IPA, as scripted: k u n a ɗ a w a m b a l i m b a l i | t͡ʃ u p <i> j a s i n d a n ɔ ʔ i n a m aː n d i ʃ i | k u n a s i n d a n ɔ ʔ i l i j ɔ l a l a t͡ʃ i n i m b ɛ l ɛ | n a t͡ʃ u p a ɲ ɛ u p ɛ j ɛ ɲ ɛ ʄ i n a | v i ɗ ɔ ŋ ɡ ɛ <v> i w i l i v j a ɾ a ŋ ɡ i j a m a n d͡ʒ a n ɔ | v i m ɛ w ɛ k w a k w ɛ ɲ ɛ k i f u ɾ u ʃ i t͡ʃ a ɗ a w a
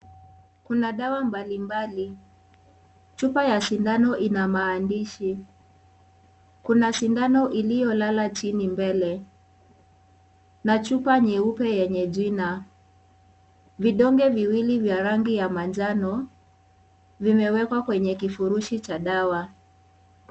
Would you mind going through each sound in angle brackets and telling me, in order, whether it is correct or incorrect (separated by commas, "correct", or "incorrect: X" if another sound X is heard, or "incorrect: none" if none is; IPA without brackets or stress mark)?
incorrect: a, correct